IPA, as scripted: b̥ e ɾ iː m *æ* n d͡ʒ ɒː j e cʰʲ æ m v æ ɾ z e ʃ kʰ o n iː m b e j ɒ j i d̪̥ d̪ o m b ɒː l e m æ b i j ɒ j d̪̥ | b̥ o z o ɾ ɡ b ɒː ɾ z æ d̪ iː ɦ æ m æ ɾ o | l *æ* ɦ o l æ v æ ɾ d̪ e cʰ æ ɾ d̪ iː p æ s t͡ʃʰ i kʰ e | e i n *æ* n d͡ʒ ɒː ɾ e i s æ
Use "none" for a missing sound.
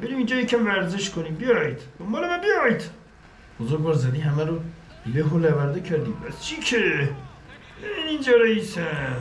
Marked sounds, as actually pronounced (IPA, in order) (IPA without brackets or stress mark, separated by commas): i, e, i